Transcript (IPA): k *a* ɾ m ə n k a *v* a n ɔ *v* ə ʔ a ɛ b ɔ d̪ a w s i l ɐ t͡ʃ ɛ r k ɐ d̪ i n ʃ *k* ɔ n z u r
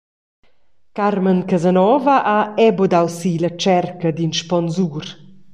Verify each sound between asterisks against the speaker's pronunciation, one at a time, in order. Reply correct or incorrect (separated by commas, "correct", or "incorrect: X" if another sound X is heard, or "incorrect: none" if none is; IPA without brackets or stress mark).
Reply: correct, incorrect: z, correct, incorrect: p